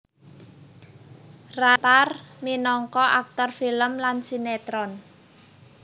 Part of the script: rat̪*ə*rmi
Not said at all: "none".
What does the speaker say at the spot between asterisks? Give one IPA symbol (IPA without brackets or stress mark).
a